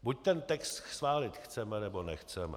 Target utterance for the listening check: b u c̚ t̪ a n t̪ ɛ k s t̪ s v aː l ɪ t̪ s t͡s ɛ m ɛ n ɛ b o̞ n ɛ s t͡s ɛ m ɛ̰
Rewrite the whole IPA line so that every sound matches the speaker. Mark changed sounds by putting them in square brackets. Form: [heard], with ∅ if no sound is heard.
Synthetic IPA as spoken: b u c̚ t̪ [ɛ] n t̪ ɛ k s t̪ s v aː l ɪ t̪ [x] t͡s ɛ m ɛ n ɛ b o̞ n ɛ [x] t͡s ɛ m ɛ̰